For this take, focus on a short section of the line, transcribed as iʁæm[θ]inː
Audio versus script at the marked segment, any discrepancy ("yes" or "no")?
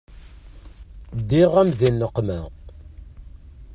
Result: yes